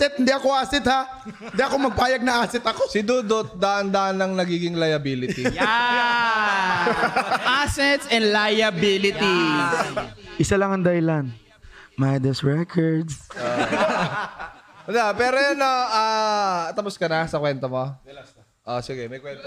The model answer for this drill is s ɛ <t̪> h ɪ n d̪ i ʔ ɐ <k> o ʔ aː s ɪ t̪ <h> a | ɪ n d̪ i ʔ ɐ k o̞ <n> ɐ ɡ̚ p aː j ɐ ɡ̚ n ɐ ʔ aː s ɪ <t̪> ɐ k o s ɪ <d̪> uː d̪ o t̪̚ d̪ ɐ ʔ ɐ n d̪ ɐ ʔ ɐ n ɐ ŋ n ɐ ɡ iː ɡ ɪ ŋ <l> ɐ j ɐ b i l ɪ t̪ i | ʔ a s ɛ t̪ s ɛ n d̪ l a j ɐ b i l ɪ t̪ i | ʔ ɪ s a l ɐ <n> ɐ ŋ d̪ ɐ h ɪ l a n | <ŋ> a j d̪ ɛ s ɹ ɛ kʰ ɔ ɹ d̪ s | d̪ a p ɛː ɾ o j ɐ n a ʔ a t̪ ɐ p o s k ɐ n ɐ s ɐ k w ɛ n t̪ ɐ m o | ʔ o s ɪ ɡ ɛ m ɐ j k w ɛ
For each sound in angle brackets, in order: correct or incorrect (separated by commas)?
correct, correct, correct, incorrect, correct, correct, correct, incorrect, incorrect